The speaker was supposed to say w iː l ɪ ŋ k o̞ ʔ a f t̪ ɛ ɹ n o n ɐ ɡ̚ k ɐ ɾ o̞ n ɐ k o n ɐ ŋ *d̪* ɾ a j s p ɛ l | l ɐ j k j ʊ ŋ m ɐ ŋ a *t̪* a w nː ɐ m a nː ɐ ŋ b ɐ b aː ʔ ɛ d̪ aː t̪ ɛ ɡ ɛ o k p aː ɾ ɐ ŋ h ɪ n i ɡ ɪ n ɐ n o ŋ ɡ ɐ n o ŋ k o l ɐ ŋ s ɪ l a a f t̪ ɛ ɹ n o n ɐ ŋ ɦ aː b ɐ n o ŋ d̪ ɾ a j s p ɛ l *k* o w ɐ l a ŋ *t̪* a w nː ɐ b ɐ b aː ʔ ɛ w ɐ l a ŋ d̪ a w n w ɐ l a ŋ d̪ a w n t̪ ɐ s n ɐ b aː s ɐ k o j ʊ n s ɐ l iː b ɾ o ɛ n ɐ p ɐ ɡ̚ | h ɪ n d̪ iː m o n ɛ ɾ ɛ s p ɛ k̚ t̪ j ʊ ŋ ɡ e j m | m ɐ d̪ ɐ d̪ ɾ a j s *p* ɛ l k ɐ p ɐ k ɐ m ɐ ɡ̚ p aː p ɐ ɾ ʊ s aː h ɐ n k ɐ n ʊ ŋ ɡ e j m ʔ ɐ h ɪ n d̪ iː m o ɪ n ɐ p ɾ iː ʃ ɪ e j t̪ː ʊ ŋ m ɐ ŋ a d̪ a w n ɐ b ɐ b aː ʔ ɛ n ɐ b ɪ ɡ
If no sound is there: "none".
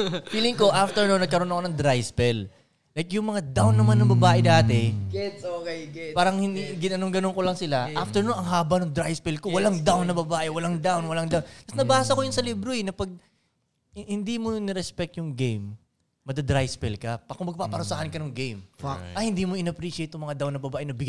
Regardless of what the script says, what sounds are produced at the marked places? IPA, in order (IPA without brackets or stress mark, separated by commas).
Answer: d̪, d̪, k, d̪, p